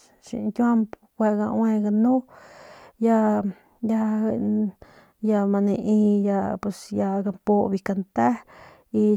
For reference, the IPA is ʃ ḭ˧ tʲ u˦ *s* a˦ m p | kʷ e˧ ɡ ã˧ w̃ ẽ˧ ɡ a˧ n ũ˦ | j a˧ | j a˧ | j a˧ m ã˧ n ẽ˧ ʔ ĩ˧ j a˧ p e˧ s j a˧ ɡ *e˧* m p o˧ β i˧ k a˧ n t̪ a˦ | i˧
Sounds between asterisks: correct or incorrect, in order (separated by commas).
incorrect, incorrect